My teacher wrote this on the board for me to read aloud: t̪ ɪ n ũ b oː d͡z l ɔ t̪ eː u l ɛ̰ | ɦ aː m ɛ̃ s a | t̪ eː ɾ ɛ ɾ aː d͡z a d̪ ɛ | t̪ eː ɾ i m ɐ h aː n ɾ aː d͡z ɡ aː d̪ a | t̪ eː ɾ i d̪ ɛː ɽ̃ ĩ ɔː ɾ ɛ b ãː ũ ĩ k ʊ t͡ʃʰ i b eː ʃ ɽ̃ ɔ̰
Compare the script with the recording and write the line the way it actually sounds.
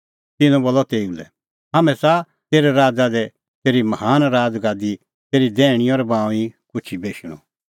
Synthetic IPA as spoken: t̪ ɪ n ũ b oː l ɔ t̪ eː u l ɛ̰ | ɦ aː m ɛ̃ s a | t̪ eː ɾ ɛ ɾ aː d͡z a d̪ ɛ | t̪ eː ɾ i m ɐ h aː n ɾ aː d͡z ɡ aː d̪ i | t̪ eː ɾ i d̪ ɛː ɽ̃ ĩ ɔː ɾ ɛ b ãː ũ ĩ k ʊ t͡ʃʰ i b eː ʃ ɽ̃ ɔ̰

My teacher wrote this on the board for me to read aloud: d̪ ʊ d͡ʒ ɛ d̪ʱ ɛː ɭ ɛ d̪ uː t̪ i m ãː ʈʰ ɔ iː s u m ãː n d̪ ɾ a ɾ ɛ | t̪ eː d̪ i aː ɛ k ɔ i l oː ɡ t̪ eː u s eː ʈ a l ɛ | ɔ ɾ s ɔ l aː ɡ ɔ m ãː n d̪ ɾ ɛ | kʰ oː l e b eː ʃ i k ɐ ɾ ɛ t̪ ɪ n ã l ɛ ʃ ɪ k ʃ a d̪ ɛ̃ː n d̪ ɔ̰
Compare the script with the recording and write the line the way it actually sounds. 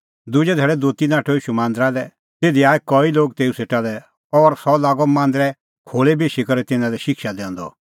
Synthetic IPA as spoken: d̪ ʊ d͡ʒ ɛ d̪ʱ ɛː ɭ ɛ d̪ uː t̪ i n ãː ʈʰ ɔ iː ʃ u m ãː n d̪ ɾ a l ɛ | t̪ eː d̪ i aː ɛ k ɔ i l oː ɡ t̪ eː u s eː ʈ a l ɛ | ɔ ɾ s ɔ l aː ɡ ɔ m ãː n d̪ ɾ ɛ | kʰ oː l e b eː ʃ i k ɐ ɾ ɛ t̪ ɪ n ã l ɛ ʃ ɪ k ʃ a d̪ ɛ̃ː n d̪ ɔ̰

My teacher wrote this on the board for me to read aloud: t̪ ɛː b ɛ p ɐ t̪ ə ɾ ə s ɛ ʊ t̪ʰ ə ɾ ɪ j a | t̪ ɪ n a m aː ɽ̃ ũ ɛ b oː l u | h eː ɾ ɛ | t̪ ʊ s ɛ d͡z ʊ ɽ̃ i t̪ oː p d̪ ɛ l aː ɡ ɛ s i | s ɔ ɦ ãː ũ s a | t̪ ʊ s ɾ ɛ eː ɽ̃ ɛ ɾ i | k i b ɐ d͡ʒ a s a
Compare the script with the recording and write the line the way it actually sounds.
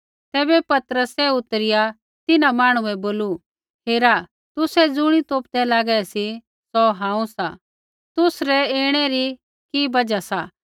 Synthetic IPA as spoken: t̪ ɛː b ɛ p ɐ t̪ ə ɾ ə s ɛ ʊ t̪ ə ɾ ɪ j a | t̪ ɪ n a m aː ɽ̃ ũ ɛ b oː l u | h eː ɾ a | t̪ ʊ s ɛ d͡z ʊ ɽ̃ i t̪ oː p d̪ ɛ l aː ɡ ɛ s i | s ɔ ɦ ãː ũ s a | t̪ ʊ s ɾ ɛ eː ɽ̃ ɛ ɾ i | k i b ɐ d͡ʒ a s a

